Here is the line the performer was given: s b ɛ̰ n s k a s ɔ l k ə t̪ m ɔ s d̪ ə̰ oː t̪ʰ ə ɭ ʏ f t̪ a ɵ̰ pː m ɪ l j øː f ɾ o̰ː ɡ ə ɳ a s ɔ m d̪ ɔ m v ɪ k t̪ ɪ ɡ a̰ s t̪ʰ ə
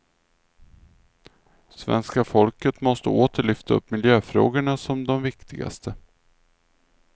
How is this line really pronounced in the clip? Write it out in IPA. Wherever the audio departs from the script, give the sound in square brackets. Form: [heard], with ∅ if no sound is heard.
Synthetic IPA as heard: s [v] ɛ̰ n s k a [f] ɔ l k ə t̪ m ɔ s [t̪] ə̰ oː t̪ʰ ə ɭ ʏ f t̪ a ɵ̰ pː m ɪ l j øː f ɾ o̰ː ɡ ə ɳ a s ɔ m d̪ ɔ m v ɪ k t̪ ɪ ɡ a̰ s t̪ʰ ə

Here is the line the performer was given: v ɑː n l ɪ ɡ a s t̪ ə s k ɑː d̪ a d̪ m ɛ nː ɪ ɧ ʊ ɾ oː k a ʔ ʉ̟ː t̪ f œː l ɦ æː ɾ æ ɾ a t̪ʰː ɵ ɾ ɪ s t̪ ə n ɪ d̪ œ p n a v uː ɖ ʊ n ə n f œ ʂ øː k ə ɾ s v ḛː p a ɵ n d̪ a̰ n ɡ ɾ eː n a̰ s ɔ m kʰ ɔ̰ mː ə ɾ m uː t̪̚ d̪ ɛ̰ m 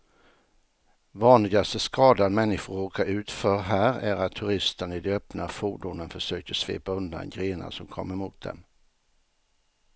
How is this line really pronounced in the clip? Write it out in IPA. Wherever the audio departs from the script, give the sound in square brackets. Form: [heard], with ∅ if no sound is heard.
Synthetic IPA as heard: v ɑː n l ɪ ɡ a s t̪ ə s k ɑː d̪ a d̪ m ɛ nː ɪ ɧ ʊ ɾ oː k a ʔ ʉ̟ː t̪ f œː [ɾ] ɦ æː ɾ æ ɾ a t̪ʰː ɵ ɾ ɪ s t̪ ə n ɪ d̪ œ p n a [f] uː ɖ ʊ n ə n f œ ʂ øː k ə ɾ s v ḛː p a ɵ n d̪ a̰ n ɡ ɾ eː n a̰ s ɔ m kʰ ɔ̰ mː ə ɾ m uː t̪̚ d̪ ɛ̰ m

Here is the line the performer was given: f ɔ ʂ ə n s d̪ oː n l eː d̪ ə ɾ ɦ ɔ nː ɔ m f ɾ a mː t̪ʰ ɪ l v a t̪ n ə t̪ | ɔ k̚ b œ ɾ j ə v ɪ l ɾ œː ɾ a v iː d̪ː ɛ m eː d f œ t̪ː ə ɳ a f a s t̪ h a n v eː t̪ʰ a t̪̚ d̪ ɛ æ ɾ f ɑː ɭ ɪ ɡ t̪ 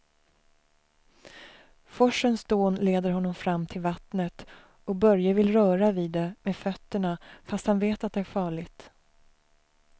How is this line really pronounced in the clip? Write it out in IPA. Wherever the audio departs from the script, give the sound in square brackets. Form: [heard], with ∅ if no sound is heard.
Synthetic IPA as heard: f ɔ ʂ ə n s d̪ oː n l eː d̪ ə ɾ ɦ ɔ nː ɔ m f ɾ a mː t̪ʰ ɪ l v a t̪ n ə t̪ | ɔ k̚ b œ ɾ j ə v ɪ l ɾ œː ɾ a v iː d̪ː ɛ m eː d f œ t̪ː ə ɳ a f a s t̪ h a n v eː [t̪] a t̪̚ d̪ ɛ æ ɾ f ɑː ɭ ɪ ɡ t̪

